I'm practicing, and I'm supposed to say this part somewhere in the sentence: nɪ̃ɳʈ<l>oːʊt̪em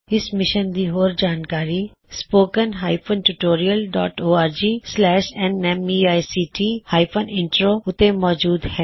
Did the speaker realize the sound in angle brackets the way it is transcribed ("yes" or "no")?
no